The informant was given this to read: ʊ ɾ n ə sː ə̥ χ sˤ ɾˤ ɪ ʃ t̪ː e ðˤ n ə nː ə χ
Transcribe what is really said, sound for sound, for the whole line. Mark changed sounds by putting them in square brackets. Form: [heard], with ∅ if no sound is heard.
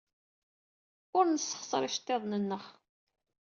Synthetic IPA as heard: ʊ ɾ n ə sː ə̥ χ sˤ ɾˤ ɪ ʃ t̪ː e ðˤ n ə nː ə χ